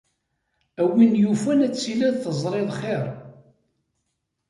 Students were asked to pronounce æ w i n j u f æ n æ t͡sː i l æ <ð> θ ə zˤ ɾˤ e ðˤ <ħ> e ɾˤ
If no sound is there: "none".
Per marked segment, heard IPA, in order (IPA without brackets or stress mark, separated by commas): ð, χ